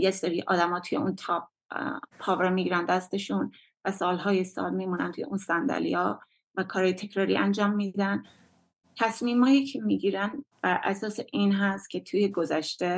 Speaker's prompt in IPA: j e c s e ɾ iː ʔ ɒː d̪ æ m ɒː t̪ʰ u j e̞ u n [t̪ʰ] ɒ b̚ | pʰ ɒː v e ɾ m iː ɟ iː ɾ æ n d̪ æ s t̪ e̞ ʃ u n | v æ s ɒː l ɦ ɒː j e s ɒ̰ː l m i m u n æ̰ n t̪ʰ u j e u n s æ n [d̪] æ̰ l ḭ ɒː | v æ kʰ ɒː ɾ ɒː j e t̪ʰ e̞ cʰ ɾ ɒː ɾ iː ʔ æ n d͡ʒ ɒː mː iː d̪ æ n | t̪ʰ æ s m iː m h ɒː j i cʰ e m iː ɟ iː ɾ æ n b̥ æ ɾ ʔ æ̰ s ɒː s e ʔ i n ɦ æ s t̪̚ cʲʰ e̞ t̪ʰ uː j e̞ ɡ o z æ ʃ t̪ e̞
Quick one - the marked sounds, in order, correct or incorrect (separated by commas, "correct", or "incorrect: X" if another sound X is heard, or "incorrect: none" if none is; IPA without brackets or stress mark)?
correct, correct